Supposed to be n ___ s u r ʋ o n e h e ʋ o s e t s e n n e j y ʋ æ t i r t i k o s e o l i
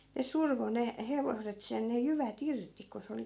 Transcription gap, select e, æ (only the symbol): e